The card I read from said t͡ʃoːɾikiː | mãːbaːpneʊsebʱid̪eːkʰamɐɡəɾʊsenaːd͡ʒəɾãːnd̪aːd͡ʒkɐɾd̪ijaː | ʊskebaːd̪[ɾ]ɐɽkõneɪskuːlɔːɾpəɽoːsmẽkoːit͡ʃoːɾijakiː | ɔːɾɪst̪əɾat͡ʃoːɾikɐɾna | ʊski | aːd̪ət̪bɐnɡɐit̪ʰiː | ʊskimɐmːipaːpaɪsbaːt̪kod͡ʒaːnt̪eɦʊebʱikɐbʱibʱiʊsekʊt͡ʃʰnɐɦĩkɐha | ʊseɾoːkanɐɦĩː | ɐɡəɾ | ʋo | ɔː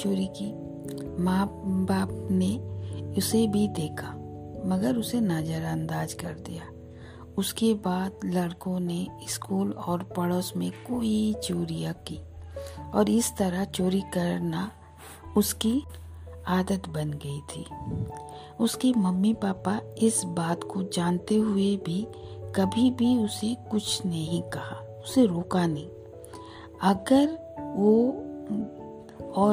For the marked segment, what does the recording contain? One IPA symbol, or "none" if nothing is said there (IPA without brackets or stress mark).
l